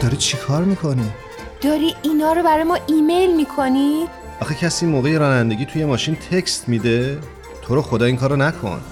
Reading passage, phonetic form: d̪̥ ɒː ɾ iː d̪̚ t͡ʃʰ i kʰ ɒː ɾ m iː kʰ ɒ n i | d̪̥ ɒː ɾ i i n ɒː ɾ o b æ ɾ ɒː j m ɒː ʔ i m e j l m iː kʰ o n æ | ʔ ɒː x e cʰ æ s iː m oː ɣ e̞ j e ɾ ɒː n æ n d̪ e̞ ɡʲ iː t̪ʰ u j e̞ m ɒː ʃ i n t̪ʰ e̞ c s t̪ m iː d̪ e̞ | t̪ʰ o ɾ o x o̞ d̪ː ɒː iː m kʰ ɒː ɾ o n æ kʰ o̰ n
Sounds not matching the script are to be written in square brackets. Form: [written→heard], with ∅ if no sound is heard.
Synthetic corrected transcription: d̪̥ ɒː ɾ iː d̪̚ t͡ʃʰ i kʰ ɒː ɾ m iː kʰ [ɒ→o] n i | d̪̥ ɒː ɾ i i n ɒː ɾ o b æ ɾ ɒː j m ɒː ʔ i m e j l m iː kʰ o n [æ→i] | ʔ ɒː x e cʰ æ s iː m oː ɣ e̞ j e ɾ ɒː n æ n d̪ e̞ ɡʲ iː t̪ʰ u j e̞ m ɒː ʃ i n t̪ʰ e̞ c s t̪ m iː d̪ e̞ | t̪ʰ o ɾ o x o̞ [d̪ː→d̪] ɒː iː [m→ŋ] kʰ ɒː ɾ o n æ kʰ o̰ n